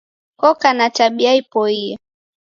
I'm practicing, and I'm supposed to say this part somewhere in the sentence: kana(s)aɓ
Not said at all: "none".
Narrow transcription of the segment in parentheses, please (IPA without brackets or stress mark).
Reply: t